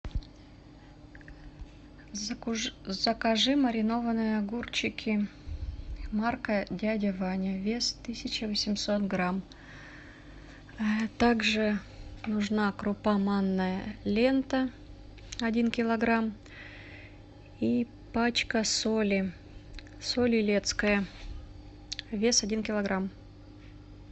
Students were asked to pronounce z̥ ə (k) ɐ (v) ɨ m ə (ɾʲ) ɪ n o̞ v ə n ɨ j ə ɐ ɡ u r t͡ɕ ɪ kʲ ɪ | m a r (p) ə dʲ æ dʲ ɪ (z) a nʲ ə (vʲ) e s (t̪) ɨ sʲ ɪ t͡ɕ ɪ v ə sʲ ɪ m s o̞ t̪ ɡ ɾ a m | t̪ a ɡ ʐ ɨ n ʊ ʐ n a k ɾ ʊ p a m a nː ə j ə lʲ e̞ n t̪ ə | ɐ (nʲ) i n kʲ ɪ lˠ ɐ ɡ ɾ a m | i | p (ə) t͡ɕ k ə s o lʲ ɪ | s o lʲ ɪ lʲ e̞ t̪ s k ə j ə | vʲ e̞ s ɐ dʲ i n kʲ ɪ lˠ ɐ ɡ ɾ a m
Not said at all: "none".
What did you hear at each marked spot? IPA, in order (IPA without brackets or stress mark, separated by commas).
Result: k, ʐ, ɾʲ, k, v, vʲ, t̪, dʲ, a